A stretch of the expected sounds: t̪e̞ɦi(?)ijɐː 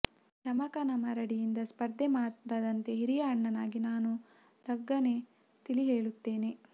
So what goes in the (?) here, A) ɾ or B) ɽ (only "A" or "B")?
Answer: A